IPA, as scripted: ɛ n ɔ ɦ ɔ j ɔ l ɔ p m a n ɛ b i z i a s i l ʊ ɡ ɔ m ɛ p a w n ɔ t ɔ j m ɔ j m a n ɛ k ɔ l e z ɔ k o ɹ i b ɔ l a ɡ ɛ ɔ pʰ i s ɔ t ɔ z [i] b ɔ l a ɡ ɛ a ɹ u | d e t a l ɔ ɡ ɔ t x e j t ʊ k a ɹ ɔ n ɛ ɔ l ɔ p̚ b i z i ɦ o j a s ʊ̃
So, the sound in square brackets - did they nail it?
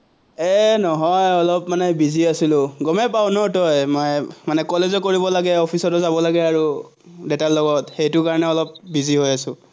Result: no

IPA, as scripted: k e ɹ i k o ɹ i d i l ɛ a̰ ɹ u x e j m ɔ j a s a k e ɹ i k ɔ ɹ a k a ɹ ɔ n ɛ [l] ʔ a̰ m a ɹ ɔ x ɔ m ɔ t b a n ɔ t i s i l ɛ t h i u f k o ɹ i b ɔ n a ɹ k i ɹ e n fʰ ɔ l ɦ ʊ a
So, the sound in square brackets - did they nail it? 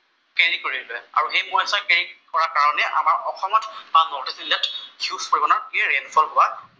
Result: no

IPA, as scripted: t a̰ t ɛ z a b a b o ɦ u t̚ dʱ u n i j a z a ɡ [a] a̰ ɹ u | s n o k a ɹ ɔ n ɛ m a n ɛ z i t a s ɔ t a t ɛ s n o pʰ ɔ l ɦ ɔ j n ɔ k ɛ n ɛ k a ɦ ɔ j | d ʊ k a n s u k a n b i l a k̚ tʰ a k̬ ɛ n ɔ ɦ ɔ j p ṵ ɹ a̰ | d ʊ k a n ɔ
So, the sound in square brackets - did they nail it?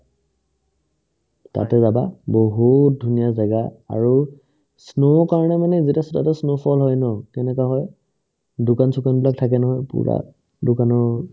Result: yes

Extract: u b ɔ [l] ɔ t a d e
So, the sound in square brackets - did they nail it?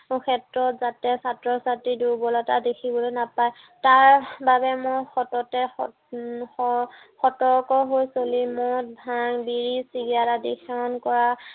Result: yes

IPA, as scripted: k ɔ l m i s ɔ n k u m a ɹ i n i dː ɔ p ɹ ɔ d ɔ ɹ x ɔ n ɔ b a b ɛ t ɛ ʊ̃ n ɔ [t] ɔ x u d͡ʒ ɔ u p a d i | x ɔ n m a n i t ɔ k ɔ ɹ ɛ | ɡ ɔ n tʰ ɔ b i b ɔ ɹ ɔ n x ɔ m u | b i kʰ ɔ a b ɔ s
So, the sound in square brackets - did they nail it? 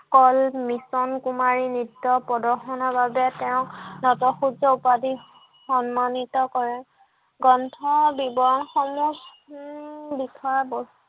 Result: yes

